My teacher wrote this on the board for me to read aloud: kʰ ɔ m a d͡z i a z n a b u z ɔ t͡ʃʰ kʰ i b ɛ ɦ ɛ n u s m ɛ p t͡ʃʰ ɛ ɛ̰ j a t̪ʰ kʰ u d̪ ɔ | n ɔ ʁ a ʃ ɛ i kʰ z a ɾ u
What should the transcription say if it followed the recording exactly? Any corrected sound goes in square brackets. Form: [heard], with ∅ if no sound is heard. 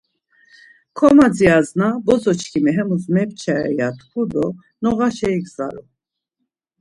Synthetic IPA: kʰ ɔ m a d͡z i a z n a b [ɔ] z ɔ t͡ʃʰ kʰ i [m] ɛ ɦ ɛ [m] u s m ɛ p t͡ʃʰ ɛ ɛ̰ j a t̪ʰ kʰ u d̪ ɔ | n ɔ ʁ a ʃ ɛ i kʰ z a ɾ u